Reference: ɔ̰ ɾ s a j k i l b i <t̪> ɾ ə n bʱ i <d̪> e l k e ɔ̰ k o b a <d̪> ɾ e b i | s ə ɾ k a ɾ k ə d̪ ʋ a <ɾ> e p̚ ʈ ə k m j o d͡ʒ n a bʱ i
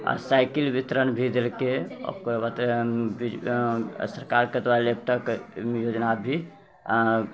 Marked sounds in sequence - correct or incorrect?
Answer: correct, correct, incorrect, incorrect

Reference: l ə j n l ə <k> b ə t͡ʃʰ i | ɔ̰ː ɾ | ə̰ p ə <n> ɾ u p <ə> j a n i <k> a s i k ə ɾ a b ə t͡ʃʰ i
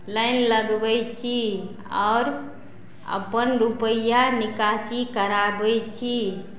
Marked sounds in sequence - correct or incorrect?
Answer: incorrect, correct, correct, correct

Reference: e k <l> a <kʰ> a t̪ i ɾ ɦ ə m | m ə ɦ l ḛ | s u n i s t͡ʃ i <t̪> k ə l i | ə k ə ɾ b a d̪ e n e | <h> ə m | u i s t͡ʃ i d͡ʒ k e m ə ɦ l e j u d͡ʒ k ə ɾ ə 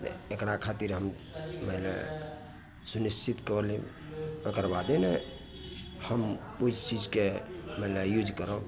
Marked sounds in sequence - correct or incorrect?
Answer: incorrect, correct, correct, correct

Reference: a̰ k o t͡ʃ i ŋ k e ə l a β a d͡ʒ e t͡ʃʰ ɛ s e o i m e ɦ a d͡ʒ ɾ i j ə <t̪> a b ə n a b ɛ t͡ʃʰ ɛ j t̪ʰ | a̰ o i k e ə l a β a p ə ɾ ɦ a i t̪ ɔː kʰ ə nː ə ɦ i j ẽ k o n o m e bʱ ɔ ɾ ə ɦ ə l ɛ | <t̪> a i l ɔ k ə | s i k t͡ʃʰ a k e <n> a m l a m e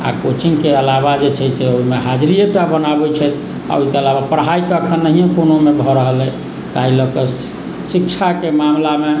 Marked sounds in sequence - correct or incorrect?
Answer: correct, correct, incorrect

